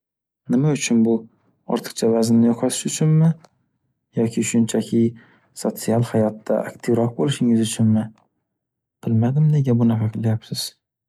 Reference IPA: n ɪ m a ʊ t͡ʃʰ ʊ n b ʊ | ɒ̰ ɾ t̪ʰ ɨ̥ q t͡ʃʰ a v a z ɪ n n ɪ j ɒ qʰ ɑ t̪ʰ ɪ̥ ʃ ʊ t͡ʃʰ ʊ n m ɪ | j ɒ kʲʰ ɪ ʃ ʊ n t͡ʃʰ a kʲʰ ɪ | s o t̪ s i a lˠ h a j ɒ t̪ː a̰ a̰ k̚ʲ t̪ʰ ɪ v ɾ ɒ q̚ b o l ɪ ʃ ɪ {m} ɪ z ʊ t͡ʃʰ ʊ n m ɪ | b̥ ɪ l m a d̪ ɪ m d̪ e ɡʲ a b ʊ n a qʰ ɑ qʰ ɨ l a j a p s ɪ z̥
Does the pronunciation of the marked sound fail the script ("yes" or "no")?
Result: yes